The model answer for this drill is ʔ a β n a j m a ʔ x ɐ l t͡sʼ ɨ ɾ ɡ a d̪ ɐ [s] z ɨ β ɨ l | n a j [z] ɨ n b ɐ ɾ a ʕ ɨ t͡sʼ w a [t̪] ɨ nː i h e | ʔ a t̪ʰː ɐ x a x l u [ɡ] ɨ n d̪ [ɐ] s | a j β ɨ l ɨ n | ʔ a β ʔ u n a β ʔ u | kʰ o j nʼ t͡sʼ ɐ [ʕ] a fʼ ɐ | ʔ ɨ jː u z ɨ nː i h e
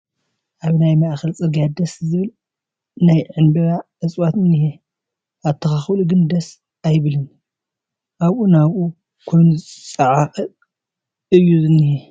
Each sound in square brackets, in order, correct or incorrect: correct, incorrect: ʕ, correct, correct, correct, correct

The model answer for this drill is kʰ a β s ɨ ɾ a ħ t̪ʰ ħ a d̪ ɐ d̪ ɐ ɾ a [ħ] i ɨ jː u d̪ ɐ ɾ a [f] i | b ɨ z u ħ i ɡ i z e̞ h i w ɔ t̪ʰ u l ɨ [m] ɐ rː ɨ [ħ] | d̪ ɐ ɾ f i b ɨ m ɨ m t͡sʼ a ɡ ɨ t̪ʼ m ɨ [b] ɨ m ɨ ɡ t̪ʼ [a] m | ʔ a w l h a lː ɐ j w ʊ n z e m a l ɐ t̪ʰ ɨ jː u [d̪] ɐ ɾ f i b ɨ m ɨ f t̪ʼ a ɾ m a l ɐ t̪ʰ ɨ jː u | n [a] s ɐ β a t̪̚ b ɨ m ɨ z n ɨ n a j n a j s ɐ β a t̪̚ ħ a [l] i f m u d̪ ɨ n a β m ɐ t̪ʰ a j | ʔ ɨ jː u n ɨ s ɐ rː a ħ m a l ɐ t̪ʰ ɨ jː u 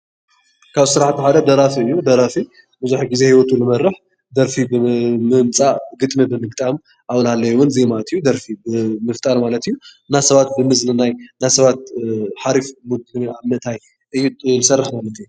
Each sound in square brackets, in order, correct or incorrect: incorrect: f, correct, correct, correct, correct, correct, correct, correct, incorrect: ɾ

